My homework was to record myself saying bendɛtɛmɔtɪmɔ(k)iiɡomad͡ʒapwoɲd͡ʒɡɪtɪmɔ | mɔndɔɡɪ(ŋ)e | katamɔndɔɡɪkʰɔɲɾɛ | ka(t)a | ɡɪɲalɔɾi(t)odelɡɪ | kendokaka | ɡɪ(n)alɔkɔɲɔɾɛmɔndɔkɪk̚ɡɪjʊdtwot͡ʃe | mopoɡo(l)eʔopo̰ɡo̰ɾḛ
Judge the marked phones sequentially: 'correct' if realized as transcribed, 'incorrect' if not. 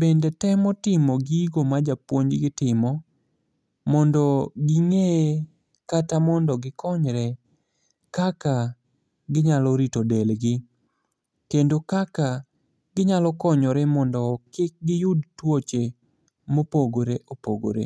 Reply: incorrect, correct, incorrect, correct, incorrect, incorrect

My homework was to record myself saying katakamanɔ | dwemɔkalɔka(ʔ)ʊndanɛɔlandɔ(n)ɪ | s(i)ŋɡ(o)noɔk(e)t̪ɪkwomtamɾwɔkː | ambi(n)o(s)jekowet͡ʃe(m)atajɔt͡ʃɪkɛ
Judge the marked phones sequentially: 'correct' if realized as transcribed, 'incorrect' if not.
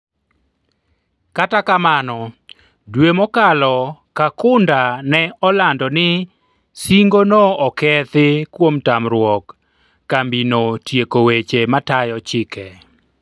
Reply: incorrect, correct, correct, correct, incorrect, correct, incorrect, correct

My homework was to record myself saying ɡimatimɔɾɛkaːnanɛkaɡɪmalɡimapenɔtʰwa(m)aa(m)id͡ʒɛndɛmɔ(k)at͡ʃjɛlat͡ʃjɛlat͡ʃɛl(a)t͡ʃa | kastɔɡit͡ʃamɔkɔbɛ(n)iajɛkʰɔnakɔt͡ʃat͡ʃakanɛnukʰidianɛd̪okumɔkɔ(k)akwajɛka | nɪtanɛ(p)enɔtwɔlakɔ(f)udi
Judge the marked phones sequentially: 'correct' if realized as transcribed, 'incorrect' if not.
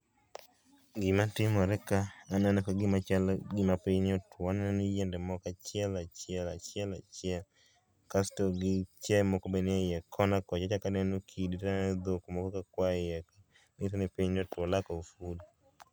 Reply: incorrect, incorrect, correct, correct, correct, correct, correct, correct

